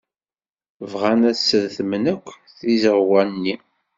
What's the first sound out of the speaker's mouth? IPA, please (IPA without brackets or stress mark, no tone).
v